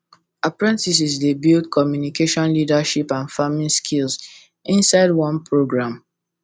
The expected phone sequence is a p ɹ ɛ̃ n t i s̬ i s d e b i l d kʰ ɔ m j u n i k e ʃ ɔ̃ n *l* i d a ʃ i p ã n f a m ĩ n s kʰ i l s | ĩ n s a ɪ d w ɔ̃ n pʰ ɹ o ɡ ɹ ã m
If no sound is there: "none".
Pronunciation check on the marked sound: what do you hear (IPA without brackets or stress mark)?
l